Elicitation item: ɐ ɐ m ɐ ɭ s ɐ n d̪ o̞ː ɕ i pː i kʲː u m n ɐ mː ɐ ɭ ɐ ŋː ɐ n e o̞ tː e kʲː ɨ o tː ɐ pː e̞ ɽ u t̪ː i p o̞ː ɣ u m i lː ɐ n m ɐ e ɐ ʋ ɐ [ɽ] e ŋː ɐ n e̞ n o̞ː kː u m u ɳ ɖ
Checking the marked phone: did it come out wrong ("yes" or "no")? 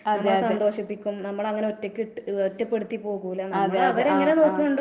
yes